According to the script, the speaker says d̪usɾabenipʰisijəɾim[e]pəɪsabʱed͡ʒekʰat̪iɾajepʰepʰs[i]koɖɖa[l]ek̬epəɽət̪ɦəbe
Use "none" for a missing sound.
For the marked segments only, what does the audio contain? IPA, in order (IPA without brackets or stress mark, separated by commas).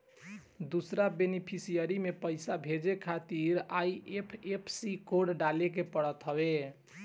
e, i, l